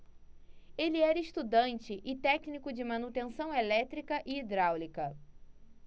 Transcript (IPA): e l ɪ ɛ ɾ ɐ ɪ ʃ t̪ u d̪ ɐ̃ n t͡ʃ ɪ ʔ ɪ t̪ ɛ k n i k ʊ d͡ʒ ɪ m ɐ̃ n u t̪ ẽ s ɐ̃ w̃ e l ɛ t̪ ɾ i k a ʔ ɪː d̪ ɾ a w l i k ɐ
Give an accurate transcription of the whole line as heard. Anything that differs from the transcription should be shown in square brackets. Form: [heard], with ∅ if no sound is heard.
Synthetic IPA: e l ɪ ɛ ɾ ɐ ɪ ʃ t̪ u d̪ ɐ̃ n t͡ʃ ɪ ʔ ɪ t̪ ɛ k n i k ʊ d͡ʒ ɪ m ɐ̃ n u t̪ ẽ s ɐ̃ w̃ e l ɛ t̪ ɾ i k [ɐ] ʔ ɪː d̪ ɾ a w l i k ɐ